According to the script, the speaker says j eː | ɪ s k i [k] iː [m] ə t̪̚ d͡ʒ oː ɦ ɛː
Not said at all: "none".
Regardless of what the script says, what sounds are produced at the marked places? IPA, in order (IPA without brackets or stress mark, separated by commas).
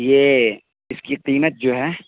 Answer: q, m